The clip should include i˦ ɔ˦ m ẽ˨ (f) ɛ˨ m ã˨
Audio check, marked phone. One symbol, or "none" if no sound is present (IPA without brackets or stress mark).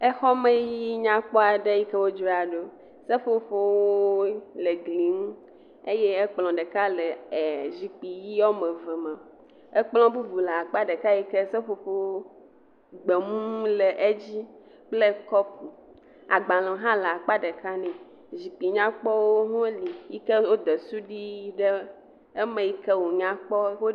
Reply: v